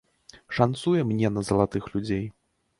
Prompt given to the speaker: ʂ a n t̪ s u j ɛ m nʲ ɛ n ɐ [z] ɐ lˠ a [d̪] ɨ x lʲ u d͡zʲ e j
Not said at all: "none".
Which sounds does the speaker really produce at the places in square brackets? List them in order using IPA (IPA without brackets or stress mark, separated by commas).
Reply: z, t̪